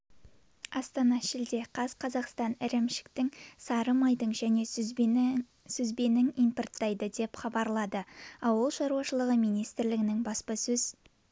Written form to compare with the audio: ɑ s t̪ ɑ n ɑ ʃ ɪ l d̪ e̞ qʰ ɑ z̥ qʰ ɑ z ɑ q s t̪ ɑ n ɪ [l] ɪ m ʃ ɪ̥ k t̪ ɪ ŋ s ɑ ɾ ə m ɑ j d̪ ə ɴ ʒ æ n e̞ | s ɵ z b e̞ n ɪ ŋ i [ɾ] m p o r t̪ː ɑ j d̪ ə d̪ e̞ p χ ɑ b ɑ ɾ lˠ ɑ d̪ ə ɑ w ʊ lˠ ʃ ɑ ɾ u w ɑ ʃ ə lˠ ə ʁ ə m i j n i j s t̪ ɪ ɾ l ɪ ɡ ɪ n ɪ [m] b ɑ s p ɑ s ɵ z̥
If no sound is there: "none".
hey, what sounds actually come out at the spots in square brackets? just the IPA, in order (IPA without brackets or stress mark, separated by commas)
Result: ɾ, none, ŋ